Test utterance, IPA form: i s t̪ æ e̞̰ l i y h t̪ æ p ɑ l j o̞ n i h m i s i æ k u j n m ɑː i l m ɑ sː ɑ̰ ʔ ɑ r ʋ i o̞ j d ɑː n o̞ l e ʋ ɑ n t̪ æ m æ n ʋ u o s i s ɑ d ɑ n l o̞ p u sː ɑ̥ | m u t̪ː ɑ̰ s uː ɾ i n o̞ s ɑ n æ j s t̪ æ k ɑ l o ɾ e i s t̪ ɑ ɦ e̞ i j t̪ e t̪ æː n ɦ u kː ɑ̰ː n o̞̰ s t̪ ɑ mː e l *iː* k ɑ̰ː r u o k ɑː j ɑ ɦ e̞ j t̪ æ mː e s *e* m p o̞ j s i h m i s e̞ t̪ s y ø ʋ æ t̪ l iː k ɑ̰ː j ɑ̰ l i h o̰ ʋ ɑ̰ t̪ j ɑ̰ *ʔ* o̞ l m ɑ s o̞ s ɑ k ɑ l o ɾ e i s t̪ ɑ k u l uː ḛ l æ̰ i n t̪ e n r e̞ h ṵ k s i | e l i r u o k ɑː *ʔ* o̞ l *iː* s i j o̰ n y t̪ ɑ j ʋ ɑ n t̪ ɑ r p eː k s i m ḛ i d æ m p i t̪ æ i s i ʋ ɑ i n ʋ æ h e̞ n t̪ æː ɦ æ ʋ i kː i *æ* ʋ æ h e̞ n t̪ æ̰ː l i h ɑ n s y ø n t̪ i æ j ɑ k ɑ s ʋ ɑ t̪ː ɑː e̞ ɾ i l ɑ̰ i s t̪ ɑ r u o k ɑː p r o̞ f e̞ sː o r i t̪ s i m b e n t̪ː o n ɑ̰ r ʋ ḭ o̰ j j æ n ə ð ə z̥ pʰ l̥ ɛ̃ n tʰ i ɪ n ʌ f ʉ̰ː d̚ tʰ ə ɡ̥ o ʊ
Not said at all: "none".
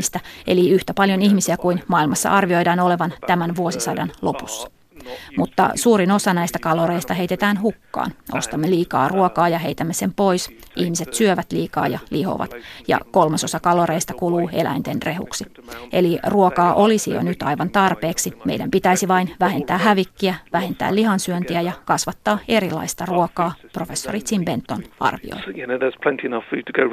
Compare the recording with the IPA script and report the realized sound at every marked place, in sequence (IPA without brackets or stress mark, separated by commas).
iː, e, k, ʔ, i, æ